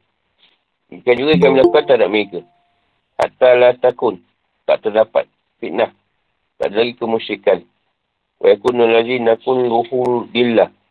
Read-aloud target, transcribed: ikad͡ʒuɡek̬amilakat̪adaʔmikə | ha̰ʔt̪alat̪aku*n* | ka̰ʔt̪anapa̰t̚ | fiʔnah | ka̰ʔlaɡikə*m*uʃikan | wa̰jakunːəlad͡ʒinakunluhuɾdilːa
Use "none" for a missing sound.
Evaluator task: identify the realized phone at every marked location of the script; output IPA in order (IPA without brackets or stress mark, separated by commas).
n, m